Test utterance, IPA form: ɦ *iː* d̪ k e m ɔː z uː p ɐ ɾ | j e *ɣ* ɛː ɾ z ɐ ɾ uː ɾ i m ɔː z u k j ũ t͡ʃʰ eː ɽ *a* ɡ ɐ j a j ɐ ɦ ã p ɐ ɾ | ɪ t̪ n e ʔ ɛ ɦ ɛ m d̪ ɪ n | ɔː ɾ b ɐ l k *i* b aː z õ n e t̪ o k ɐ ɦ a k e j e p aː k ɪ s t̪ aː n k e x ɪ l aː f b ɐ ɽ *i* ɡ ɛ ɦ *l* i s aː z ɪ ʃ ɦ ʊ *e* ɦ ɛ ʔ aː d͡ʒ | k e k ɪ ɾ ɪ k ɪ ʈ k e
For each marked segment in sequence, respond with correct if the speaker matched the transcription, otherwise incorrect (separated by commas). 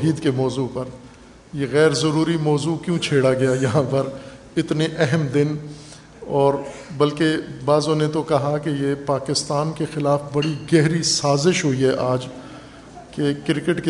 correct, correct, correct, incorrect, correct, incorrect, incorrect